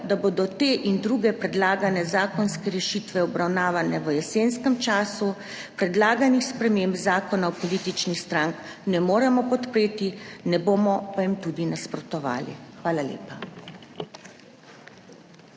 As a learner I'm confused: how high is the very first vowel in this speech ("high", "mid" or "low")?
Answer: low